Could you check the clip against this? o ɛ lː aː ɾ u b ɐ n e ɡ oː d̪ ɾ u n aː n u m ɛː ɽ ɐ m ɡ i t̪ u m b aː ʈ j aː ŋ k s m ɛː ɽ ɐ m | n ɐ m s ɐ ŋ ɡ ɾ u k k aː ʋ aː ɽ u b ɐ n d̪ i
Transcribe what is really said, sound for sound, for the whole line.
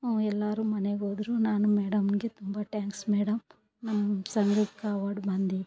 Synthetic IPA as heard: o ɛ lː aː ɾ u m ɐ n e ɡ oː d̪ ɾ u n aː n u m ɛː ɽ ɐ m ɡ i t̪ u m b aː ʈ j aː ŋ k s m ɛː ɽ ɐ m | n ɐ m s ɐ ŋ ɡ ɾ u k k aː ʋ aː ɽ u b ɐ n d̪ i